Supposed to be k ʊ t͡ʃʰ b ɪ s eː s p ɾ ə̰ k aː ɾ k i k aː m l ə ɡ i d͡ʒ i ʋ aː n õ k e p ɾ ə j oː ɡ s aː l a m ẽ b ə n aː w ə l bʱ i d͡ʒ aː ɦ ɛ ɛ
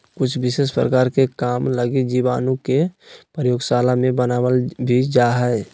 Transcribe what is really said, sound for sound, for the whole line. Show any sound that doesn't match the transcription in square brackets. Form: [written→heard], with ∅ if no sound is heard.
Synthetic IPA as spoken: k ʊ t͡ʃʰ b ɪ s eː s p ɾ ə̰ k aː ɾ k [i→e] k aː m l ə ɡ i d͡ʒ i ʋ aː n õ k e p ɾ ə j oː ɡ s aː l a m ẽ b ə n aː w ə l bʱ i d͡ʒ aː ɦ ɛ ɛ